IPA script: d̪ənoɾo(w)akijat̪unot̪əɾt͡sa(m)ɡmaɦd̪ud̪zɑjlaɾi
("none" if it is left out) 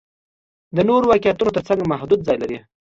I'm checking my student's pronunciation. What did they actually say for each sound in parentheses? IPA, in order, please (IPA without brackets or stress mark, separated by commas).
w, ŋ